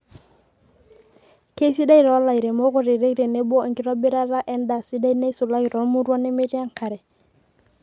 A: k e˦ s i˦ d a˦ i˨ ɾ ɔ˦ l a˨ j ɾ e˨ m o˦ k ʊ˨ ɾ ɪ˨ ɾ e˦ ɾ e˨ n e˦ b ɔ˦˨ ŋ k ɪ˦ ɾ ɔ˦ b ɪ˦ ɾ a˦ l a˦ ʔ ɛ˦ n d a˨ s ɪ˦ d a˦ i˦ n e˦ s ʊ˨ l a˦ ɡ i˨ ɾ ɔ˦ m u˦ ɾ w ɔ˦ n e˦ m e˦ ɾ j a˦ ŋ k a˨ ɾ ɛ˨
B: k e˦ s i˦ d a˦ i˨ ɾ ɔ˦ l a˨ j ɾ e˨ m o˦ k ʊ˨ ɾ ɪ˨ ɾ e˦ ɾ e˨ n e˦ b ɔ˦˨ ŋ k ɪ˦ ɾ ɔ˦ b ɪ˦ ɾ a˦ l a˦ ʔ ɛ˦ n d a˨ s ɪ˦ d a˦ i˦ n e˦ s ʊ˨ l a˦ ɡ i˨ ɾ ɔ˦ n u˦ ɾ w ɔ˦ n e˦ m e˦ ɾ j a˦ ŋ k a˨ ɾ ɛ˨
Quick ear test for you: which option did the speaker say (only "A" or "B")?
A